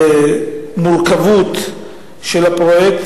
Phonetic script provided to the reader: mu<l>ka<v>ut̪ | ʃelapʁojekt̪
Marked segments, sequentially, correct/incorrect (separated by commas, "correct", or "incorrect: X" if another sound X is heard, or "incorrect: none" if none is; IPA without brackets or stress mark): correct, correct